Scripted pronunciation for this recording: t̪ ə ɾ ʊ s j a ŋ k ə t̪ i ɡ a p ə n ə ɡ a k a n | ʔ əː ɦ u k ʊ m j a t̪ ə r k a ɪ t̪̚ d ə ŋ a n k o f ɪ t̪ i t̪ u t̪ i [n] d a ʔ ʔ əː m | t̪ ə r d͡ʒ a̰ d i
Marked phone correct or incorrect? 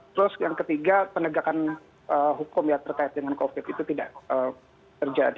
incorrect